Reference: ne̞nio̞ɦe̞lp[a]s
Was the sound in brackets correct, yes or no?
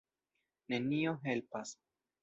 yes